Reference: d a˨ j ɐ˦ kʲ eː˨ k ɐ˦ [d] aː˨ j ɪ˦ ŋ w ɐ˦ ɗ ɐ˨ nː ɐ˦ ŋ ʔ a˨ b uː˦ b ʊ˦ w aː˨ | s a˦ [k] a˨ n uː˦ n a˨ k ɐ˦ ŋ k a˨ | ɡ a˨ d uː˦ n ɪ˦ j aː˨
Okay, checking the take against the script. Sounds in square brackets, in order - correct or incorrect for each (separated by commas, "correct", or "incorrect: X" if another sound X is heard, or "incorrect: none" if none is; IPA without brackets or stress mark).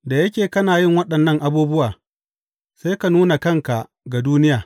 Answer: incorrect: n, correct